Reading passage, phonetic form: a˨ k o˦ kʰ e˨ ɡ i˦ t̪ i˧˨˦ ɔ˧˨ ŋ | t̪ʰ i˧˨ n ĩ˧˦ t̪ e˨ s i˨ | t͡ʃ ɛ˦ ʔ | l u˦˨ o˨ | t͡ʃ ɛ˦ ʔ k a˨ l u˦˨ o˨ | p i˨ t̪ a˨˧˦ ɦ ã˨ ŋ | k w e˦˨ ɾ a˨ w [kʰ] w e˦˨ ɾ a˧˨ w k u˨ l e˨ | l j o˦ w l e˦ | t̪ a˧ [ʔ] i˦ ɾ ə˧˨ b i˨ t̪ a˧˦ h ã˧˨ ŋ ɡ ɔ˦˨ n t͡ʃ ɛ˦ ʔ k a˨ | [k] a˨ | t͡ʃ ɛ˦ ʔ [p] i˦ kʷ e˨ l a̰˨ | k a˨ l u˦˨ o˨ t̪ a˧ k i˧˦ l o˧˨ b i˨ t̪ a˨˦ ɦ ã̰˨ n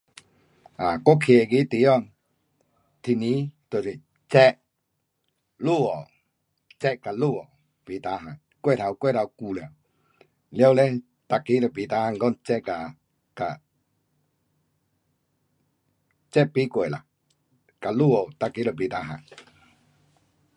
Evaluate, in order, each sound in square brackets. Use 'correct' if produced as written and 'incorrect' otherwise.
incorrect, incorrect, correct, correct

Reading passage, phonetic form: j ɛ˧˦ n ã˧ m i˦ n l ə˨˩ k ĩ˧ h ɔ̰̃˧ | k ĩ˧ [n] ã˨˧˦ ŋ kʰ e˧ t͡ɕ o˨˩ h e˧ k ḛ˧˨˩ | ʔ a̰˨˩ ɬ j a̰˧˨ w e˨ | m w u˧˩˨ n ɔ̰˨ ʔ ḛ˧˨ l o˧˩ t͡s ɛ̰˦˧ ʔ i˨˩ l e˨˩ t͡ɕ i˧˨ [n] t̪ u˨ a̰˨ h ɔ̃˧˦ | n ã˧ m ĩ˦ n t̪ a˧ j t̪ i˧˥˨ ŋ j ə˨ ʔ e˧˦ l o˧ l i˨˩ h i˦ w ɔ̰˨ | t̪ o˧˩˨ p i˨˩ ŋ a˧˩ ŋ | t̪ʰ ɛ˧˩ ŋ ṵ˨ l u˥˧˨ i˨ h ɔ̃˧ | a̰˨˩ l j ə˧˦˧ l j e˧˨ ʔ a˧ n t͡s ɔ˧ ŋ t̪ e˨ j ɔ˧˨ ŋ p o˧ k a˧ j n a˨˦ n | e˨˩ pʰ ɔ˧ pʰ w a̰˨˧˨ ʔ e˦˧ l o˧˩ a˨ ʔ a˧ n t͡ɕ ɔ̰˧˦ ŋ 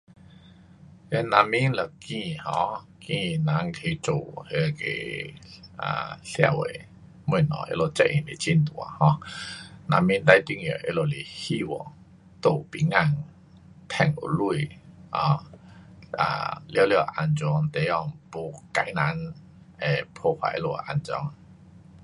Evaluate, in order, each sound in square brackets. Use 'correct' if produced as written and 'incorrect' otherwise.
correct, correct

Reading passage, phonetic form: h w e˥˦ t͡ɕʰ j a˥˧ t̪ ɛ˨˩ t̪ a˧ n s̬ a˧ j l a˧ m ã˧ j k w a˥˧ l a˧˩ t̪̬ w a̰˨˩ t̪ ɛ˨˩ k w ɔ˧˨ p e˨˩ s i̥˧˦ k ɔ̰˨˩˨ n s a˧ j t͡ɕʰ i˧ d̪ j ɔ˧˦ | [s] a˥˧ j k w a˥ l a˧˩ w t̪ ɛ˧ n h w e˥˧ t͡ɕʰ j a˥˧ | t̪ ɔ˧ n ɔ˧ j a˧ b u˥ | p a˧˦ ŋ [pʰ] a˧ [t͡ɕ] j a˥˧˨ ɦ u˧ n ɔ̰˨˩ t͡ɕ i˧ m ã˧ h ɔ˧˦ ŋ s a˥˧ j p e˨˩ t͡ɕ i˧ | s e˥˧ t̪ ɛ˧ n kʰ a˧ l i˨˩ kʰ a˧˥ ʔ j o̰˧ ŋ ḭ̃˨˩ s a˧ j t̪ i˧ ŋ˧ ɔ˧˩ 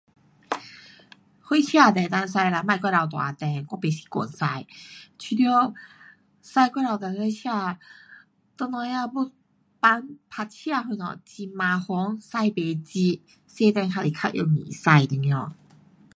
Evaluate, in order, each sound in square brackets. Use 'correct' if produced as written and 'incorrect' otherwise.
correct, correct, incorrect

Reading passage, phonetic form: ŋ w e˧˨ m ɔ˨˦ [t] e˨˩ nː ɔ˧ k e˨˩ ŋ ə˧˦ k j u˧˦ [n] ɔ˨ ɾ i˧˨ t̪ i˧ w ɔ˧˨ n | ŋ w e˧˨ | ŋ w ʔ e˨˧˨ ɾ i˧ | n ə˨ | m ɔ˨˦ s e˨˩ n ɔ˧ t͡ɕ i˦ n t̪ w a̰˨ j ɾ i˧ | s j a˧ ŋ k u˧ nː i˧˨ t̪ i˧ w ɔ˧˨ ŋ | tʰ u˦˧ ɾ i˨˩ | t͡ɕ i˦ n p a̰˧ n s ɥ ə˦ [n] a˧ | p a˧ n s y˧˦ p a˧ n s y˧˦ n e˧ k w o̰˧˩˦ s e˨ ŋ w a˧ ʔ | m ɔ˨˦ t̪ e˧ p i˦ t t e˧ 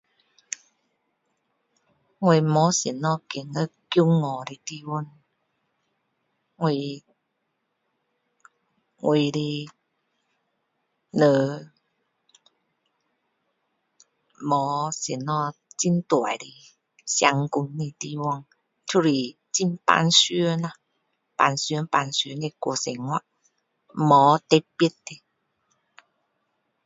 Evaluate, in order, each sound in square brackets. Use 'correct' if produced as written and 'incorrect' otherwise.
incorrect, incorrect, correct

